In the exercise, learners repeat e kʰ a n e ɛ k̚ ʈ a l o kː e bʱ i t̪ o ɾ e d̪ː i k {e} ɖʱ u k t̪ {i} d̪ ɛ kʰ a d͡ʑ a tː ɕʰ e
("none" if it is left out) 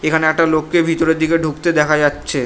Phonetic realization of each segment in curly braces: e, e

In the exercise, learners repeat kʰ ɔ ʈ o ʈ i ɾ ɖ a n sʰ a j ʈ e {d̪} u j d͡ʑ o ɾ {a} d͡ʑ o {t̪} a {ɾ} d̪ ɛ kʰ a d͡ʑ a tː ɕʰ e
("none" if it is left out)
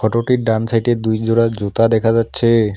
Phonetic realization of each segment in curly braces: d̪, a, t̪, none

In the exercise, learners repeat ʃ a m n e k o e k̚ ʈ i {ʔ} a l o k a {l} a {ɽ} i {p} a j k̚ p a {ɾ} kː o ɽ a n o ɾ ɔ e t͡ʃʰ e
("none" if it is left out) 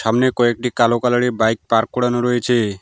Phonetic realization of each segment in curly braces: k, l, ɽ, b, ɾ

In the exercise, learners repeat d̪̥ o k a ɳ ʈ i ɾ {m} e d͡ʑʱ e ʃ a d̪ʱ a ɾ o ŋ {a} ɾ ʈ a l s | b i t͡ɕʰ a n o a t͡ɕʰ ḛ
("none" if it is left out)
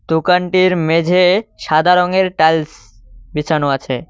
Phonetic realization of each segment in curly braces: m, e

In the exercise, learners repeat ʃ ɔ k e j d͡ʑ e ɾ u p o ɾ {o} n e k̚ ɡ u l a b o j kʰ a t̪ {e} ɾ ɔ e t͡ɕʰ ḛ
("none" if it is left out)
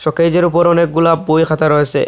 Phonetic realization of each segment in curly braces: ɔ, a

